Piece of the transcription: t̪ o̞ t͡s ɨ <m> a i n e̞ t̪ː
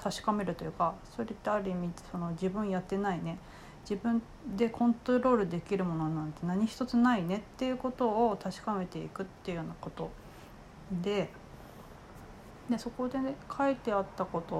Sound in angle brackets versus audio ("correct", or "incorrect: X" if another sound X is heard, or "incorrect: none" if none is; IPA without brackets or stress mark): incorrect: n